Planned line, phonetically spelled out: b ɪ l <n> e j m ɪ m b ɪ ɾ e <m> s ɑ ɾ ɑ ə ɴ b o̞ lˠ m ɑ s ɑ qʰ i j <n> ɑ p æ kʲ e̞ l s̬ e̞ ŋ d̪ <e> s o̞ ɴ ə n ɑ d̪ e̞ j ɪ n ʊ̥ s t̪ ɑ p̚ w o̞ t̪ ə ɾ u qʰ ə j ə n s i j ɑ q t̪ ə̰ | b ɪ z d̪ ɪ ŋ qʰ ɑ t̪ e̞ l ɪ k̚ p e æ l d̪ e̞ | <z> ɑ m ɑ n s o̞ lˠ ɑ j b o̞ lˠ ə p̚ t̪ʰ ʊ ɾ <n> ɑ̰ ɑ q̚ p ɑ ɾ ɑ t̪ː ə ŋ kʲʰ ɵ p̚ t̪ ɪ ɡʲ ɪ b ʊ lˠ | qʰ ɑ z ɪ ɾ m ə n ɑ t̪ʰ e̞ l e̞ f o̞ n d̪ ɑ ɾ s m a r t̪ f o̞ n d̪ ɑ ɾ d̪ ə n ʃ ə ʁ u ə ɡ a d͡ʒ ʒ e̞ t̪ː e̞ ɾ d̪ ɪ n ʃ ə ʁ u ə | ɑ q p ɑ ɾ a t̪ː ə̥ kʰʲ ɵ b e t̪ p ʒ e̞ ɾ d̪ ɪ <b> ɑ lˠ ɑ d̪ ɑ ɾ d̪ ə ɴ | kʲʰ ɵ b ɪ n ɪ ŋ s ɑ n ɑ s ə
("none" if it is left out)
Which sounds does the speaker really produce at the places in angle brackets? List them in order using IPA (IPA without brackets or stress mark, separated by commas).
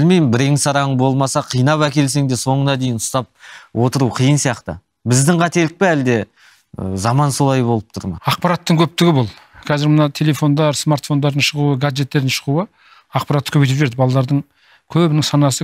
m, ŋ, n, e, z, m, b